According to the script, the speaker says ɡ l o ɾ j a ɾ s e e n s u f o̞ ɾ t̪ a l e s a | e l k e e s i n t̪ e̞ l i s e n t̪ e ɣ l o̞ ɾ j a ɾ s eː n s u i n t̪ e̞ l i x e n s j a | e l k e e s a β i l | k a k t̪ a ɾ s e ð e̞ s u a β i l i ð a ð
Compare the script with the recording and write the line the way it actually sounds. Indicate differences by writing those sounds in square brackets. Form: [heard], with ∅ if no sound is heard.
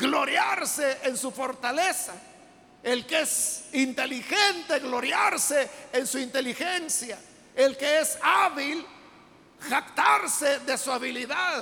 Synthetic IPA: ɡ l o ɾ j a ɾ s e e n s u f o̞ ɾ t̪ a l e s a | e l k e e s i n t̪ e̞ l i [x] e n t̪ e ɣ l o̞ ɾ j a ɾ s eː n s u i n t̪ e̞ l i x e n s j a | e l k e e s a β i l | [x] a k t̪ a ɾ s e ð e̞ s u a β i l i ð a ð